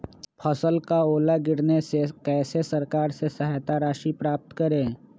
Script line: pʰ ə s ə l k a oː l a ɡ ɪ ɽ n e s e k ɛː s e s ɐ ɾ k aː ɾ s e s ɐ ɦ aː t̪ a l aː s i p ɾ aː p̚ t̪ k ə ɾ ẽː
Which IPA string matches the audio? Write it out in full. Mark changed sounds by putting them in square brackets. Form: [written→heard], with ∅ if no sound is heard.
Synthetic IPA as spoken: pʰ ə s ə l k a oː l a ɡ ɪ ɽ n e s e k ɛː s e s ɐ ɾ k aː ɾ s e s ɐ ɦ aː t̪ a [l→ɾ] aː [s→ʃ] i p ɾ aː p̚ t̪ k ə ɾ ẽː